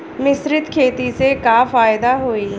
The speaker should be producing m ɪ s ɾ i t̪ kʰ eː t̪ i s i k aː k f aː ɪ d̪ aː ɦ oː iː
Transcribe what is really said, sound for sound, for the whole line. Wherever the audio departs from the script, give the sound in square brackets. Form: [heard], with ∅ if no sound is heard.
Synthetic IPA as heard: m ɪ s ɾ [ɪ] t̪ kʰ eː t̪ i s [e] k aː [∅] f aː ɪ d̪ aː ɦ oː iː